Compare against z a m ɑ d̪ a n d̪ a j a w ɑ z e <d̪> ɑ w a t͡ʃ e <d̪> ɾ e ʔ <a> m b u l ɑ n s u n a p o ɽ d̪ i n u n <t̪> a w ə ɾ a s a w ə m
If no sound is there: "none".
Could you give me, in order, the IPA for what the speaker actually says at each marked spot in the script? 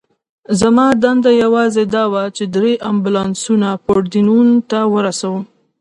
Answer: d̪, d̪, a, t̪

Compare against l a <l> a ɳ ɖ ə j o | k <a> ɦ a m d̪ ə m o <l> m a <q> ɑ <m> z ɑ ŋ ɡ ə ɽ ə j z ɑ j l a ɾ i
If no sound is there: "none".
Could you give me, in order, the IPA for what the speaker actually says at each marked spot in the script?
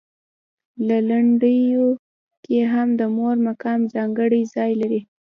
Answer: l, e, ɾ, k, m

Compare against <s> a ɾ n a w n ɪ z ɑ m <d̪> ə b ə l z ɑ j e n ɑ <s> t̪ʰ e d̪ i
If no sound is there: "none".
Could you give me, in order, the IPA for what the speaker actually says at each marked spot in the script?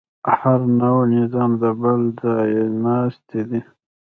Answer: h, d̪, s

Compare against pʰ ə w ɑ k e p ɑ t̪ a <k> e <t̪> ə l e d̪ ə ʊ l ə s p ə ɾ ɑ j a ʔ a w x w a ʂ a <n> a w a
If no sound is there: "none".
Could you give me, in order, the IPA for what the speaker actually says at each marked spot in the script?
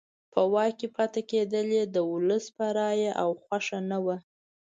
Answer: k, d̪, n

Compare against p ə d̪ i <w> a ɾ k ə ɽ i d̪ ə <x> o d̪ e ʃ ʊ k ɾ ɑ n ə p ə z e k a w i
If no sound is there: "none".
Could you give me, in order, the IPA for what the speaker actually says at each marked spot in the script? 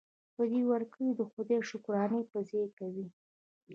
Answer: w, x

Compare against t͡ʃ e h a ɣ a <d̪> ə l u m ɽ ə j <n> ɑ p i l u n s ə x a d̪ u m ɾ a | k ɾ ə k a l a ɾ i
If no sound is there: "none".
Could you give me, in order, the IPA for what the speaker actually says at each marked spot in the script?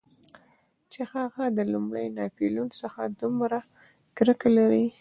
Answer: d̪, n

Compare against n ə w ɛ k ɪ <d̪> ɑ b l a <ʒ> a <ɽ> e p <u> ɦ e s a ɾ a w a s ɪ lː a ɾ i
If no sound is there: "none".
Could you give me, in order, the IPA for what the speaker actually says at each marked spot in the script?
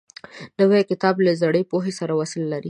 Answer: t̪, z, ɽ, o

